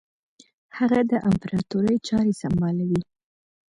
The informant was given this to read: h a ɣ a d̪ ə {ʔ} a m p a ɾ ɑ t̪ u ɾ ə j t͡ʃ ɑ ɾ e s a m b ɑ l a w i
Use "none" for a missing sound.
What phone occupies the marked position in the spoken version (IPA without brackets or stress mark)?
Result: ʔ